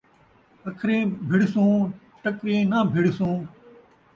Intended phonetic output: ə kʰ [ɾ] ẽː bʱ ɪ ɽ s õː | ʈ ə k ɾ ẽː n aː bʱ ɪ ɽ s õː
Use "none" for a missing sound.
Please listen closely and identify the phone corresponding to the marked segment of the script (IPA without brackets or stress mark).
ɾ